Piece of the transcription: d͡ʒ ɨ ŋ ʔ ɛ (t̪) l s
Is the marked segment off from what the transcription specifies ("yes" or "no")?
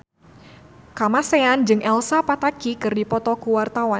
yes